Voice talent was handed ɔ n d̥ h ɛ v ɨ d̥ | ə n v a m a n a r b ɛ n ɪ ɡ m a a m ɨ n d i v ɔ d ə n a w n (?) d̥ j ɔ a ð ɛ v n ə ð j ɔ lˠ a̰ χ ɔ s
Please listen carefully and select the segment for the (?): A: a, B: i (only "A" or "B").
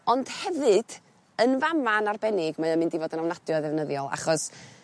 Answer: A